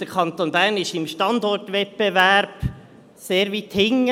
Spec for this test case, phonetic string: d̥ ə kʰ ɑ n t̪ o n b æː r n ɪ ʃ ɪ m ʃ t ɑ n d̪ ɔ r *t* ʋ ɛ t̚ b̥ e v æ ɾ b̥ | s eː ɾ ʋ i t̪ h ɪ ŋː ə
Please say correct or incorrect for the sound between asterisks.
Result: correct